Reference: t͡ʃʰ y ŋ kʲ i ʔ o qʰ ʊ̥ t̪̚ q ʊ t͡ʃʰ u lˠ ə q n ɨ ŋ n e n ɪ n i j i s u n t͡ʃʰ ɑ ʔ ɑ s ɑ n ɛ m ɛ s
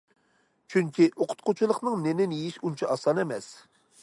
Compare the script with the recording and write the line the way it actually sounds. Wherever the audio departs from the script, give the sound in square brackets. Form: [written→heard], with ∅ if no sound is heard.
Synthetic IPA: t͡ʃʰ y ŋ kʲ i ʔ o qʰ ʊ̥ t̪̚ q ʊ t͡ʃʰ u lˠ ə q n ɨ ŋ n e n ɪ n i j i [s→ʃ] u n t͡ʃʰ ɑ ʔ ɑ s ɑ n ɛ m ɛ s